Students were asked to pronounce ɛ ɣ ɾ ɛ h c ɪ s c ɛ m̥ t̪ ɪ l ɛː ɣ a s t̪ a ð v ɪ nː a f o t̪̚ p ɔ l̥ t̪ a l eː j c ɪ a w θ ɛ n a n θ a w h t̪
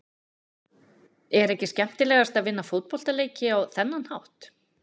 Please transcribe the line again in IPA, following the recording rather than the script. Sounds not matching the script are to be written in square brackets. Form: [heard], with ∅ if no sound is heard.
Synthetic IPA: ɛ [∅] ɾ ɛ h c ɪ s c ɛ m̥ t̪ ɪ l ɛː ɣ a s t̪ a ð v ɪ nː a f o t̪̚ p ɔ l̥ t̪ a l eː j c ɪ a w θ ɛ [nː] a n [h] a w h t̪